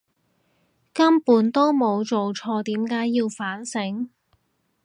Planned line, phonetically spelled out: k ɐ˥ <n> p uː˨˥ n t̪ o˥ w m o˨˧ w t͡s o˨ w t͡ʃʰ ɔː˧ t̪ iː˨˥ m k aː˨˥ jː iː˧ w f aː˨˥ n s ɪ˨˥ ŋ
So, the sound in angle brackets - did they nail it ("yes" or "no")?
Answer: no